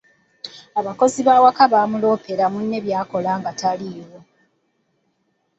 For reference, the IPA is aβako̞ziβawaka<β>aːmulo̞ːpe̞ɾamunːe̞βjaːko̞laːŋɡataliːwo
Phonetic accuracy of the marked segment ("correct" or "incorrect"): correct